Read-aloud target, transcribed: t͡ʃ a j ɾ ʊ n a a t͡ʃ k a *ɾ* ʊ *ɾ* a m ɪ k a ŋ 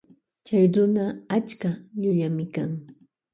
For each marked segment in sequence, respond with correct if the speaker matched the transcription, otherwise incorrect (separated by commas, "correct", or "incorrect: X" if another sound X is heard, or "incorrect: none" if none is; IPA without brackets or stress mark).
incorrect: ʎ, incorrect: ʎ